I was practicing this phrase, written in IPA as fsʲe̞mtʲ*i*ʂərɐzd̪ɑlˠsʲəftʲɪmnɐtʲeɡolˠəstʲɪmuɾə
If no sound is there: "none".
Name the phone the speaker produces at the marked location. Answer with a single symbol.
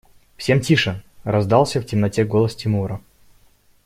i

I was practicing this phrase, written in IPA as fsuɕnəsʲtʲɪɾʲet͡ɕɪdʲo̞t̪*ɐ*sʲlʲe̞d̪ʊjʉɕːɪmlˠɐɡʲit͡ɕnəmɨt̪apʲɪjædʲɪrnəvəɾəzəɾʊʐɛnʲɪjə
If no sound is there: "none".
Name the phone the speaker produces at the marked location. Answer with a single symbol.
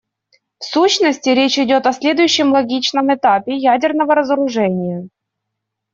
ɐ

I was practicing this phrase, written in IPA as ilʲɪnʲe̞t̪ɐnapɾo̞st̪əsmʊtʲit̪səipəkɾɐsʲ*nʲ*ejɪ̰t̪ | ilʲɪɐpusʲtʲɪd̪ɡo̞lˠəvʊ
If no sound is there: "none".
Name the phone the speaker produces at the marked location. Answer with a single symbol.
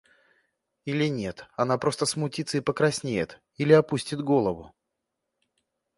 nʲ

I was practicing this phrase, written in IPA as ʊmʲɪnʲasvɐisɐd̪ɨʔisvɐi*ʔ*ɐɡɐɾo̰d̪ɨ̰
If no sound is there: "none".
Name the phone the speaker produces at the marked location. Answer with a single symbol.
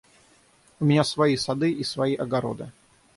ʔ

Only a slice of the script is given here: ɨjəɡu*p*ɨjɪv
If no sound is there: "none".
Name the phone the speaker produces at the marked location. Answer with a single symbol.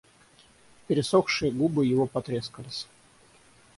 b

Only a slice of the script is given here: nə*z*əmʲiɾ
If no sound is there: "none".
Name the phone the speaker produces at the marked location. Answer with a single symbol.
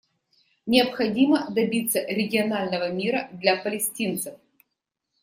v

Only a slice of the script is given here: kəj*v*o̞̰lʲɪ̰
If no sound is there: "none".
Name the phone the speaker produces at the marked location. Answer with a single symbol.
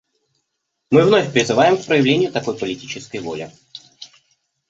v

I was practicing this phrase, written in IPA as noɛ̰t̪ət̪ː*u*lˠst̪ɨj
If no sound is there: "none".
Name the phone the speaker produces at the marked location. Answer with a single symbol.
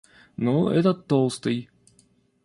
o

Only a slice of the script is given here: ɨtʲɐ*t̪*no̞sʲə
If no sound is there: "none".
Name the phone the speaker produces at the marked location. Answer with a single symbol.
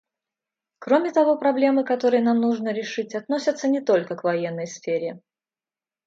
t̪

